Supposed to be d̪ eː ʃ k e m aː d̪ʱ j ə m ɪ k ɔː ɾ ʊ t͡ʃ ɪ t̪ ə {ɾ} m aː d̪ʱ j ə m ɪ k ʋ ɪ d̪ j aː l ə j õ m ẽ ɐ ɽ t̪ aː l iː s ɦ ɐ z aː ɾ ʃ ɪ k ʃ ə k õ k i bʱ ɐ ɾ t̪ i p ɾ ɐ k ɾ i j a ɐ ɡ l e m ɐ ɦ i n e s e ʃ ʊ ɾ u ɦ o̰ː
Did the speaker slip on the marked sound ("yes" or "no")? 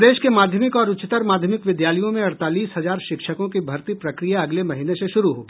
no